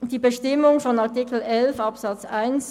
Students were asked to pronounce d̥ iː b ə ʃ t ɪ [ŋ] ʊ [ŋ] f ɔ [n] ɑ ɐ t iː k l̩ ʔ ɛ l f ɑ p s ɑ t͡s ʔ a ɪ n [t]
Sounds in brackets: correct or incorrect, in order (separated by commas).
incorrect, correct, correct, incorrect